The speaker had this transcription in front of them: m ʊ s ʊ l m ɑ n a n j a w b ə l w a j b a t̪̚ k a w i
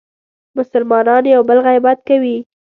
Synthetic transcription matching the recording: m ʊ s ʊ l m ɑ n ɑ n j a w b ə l ɣ a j b a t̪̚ k a w i